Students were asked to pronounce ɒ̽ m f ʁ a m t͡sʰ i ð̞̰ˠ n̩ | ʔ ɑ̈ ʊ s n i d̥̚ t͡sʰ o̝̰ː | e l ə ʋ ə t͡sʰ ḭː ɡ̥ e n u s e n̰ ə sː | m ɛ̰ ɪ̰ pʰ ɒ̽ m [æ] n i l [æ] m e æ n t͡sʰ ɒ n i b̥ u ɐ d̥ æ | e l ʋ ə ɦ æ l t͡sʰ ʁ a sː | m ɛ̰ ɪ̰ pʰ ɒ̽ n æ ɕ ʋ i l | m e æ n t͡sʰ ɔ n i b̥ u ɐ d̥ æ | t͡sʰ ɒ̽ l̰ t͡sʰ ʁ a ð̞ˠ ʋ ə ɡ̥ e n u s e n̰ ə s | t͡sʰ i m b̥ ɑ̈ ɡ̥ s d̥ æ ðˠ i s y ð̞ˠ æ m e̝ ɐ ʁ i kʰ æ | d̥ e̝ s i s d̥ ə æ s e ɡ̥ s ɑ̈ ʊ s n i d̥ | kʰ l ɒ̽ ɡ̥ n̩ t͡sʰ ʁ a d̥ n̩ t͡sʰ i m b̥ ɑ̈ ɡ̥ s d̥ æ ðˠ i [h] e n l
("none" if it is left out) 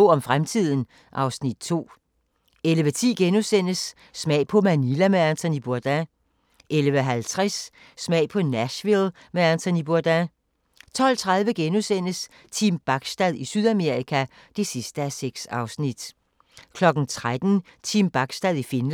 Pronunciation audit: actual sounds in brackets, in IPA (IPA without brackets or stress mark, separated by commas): æ, æ, f